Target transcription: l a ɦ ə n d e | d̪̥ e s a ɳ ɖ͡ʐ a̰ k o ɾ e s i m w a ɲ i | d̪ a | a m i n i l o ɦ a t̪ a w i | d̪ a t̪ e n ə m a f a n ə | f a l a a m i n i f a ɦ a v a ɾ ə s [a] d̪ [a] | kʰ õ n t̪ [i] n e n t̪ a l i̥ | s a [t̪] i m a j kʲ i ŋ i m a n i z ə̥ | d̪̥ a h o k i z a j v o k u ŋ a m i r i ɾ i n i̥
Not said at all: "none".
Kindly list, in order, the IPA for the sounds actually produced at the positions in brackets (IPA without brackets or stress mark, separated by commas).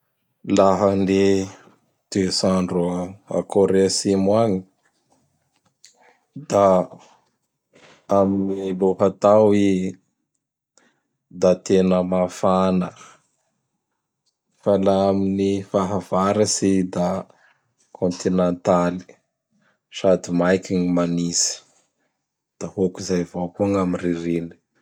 i, a, i, d̪